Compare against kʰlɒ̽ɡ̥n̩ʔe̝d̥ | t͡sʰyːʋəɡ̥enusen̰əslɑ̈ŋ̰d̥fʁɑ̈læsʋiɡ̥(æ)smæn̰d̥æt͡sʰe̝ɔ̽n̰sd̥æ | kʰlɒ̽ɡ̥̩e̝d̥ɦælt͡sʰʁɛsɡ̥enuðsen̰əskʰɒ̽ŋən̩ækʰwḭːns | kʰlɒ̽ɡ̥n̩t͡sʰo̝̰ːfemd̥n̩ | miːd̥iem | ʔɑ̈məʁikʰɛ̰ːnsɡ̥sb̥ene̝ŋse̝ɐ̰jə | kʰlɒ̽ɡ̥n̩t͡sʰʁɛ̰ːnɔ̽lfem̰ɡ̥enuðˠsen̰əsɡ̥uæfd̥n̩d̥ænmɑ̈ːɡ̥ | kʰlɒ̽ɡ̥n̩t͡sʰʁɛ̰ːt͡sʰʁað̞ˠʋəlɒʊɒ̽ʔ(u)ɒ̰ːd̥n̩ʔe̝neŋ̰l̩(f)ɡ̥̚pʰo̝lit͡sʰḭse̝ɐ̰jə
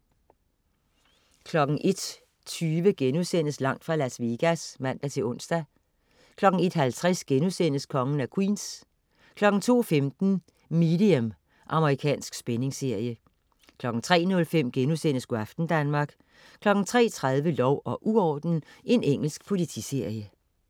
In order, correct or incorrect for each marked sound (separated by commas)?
correct, correct, incorrect